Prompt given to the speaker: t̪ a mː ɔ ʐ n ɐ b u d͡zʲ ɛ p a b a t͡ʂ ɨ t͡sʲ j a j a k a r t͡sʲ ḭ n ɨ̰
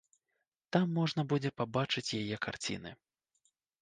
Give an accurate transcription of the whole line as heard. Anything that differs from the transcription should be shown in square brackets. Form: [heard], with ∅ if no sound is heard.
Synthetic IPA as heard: t̪ a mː ɔ ʐ n ɐ b u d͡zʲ ɛ p a b a t͡ʂ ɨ t͡sʲ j a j [ɛ] k a r t͡sʲ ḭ n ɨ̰

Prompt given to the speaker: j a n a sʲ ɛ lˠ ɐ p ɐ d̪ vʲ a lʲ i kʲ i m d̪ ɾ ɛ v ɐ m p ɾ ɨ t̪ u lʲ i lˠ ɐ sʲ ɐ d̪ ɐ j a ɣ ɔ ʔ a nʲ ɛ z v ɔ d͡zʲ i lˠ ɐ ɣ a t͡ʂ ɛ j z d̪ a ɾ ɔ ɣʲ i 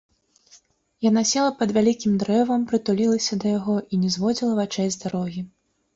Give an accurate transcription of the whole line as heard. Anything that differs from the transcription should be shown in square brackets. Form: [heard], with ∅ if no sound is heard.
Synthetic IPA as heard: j a n a sʲ ɛ lˠ ɐ p ɐ d̪ vʲ a lʲ i kʲ i m d̪ ɾ ɛ v ɐ m p ɾ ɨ t̪ u lʲ i lˠ ɐ sʲ ɐ d̪ ɐ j a ɣ ɔ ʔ [i] nʲ ɛ z v ɔ d͡zʲ i lˠ ɐ [v] a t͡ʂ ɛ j z d̪ a ɾ ɔ ɣʲ i

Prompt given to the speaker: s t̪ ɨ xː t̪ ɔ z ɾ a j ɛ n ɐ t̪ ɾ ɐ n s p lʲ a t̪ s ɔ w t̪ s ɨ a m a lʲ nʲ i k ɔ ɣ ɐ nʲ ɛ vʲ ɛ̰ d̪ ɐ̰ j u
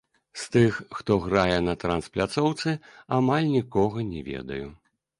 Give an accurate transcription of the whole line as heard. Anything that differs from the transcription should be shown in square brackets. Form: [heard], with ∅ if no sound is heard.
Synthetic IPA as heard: s t̪ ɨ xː t̪ ɔ [ɣ] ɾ a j ɛ n ɐ t̪ ɾ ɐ n s p lʲ a t̪ s ɔ w t̪ s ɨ a m a lʲ nʲ i k ɔ ɣ ɐ nʲ ɛ vʲ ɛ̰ d̪ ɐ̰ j u

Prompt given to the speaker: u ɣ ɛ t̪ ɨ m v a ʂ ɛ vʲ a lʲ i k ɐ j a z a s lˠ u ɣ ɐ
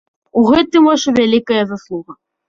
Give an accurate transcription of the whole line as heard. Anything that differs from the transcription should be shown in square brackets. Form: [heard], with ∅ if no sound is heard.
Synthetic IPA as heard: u ɣ ɛ t̪ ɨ m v a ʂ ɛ vʲ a lʲ i k ɐ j [ɐ] z a s lˠ u ɣ ɐ

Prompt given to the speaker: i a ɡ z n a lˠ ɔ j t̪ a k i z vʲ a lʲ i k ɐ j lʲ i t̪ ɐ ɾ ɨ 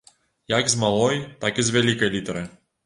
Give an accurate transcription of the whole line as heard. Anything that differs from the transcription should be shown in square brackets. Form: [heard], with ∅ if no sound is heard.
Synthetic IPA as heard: [j] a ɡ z [m] a lˠ ɔ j t̪ a k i z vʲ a lʲ i k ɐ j lʲ i t̪ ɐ ɾ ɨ

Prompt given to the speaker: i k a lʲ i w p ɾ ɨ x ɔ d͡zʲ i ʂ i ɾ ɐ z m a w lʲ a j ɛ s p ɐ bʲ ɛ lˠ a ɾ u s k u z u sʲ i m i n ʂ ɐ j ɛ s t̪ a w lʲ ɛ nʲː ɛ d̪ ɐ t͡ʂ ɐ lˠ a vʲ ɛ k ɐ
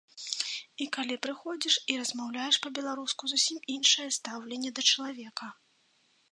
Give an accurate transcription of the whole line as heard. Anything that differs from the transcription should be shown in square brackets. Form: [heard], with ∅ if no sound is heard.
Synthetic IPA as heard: i k a lʲ i [∅] p ɾ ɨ x ɔ d͡zʲ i ʂ i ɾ ɐ z m a w lʲ a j ɛ [ʂ] p ɐ bʲ ɛ lˠ a ɾ u s k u z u sʲ i m i n ʂ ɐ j ɛ s t̪ a w lʲ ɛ nʲː ɛ d̪ ɐ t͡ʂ ɐ lˠ a vʲ ɛ k ɐ

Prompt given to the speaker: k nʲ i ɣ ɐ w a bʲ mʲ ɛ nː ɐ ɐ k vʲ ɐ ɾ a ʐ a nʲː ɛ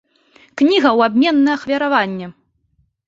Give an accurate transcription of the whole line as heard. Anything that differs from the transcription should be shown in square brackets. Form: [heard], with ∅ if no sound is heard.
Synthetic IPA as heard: k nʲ i ɣ ɐ w a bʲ mʲ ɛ nː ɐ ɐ [x] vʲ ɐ ɾ a [v] a nʲː ɛ

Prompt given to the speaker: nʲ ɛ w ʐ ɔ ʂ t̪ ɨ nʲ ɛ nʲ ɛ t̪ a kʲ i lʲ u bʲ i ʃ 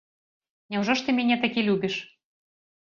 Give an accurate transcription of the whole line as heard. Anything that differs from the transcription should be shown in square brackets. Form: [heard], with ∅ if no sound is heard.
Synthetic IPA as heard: nʲ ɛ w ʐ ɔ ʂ t̪ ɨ [mʲ] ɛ nʲ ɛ t̪ a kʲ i lʲ u bʲ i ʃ

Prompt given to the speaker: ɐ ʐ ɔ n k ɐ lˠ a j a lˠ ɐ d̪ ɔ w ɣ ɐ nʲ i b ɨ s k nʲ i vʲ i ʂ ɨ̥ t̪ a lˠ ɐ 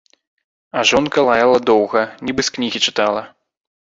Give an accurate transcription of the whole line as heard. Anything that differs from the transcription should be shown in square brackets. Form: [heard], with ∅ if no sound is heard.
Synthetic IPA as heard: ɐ ʐ ɔ n k ɐ lˠ a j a lˠ ɐ d̪ ɔ w ɣ ɐ nʲ i b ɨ s k nʲ i [ɣʲ] i [t͡ʂ] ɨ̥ t̪ a lˠ ɐ

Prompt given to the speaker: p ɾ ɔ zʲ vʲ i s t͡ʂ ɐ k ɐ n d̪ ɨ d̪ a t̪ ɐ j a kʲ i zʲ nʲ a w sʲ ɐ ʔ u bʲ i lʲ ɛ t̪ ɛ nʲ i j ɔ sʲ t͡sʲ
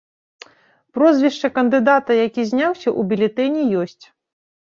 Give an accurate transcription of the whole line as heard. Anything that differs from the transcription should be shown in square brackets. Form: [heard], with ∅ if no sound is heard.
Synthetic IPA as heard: p ɾ ɔ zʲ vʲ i [ʂ] t͡ʂ ɐ k ɐ n d̪ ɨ d̪ a t̪ ɐ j a kʲ i zʲ nʲ a w sʲ ɐ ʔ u bʲ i lʲ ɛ t̪ ɛ nʲ i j ɔ sʲ t͡sʲ

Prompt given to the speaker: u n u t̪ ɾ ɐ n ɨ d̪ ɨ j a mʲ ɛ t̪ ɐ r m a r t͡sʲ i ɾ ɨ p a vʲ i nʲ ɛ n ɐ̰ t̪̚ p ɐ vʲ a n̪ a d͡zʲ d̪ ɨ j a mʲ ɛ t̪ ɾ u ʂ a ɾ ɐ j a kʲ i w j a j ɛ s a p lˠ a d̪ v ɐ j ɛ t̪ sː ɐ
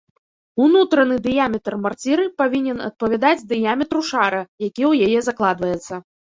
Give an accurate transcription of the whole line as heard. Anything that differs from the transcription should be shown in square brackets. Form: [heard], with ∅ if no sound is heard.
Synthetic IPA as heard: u n u t̪ ɾ ɐ n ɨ d̪ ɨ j a mʲ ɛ t̪ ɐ r m a r t͡sʲ i ɾ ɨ p a vʲ i nʲ ɛ n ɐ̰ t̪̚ p ɐ vʲ a [d̪] a d͡zʲ d̪ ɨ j a mʲ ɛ t̪ ɾ u ʂ a ɾ ɐ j a kʲ i w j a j ɛ [z] a [k] lˠ a d̪ v ɐ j ɛ t̪ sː ɐ

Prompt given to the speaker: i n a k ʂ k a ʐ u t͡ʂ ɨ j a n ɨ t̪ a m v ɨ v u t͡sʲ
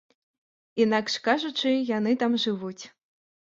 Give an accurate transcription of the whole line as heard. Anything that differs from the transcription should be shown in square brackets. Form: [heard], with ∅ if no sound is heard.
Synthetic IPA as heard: i n a k ʂ k a ʐ u t͡ʂ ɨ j a n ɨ t̪ a m [ʐ] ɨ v u t͡sʲ

